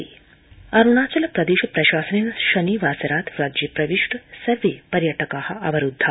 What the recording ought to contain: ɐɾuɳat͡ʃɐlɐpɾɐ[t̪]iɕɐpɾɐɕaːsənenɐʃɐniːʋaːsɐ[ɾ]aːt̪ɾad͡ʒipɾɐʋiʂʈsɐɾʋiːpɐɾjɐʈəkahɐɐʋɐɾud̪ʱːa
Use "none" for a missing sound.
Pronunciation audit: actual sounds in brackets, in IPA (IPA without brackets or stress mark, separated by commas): d̪, ɾ